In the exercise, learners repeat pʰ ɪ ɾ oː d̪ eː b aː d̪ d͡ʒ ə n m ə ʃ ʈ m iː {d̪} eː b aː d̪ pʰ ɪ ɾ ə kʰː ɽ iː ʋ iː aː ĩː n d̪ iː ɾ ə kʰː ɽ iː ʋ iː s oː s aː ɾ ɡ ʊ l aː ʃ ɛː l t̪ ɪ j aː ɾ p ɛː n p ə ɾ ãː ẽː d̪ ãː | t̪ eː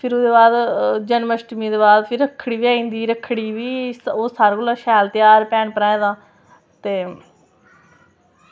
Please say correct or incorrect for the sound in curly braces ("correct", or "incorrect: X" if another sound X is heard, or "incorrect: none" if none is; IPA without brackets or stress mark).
correct